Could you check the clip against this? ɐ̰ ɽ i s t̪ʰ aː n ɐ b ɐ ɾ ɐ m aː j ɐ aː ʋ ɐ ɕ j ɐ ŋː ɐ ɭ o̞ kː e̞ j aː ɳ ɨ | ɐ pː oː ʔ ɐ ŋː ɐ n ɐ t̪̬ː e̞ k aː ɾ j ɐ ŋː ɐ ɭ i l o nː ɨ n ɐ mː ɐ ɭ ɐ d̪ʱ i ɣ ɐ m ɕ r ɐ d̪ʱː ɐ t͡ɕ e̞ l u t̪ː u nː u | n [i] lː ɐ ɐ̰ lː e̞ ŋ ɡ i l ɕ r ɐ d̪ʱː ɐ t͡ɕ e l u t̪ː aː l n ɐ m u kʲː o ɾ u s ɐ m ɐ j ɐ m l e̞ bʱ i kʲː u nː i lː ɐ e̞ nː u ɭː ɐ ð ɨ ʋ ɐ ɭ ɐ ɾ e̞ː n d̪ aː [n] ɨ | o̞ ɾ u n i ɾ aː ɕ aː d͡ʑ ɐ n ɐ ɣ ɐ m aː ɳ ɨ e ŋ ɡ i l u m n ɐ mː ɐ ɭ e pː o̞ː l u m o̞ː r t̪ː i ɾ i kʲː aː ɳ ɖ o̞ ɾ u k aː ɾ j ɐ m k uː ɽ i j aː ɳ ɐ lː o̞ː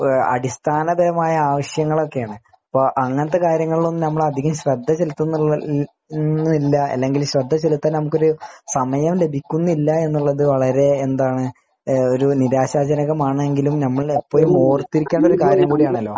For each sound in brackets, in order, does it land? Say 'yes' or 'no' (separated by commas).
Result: yes, no